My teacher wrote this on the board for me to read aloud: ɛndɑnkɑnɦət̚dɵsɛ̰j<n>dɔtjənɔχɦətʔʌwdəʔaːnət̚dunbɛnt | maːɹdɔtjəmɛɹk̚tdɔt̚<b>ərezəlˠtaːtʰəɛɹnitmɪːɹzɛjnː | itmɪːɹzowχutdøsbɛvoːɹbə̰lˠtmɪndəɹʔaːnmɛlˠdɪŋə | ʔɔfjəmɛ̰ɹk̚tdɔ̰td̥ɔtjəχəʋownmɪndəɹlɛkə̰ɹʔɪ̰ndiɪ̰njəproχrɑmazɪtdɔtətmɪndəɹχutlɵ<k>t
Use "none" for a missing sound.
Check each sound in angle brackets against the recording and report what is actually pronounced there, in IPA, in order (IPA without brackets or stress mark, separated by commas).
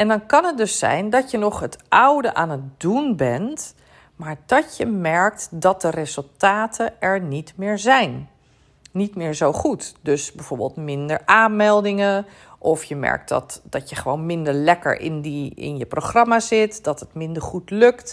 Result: n, d, k